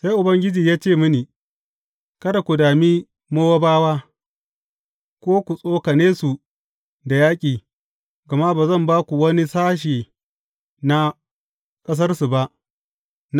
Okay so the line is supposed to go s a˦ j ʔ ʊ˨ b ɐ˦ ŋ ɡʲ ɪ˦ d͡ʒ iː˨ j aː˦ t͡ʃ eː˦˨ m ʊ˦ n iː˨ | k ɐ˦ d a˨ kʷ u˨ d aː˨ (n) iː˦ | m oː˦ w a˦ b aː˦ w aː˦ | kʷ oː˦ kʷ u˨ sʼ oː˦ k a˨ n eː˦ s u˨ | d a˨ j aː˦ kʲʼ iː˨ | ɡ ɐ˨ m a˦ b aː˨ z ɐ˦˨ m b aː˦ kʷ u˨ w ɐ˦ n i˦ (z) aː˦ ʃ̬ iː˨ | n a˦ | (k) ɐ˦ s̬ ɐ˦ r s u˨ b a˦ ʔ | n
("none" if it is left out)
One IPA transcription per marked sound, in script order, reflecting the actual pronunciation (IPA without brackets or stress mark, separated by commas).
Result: m, s, kʼ